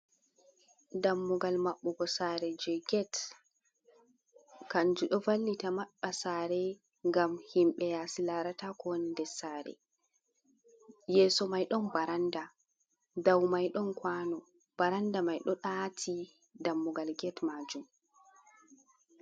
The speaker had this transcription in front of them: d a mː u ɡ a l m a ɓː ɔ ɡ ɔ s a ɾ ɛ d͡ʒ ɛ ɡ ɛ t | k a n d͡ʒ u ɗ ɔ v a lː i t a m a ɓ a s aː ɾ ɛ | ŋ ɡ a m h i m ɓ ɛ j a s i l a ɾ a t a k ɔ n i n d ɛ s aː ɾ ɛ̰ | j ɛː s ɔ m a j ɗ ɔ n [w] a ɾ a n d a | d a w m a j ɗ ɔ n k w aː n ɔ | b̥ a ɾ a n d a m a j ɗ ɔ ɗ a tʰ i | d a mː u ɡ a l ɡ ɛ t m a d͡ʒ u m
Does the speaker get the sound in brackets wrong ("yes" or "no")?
yes